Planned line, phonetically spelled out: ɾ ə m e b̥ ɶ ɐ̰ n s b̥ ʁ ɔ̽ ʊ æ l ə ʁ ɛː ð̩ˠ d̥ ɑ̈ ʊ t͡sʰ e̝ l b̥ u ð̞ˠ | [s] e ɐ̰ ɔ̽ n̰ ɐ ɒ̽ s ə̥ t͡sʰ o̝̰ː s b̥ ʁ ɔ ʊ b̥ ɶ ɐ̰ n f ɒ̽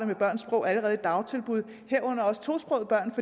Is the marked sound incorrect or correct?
incorrect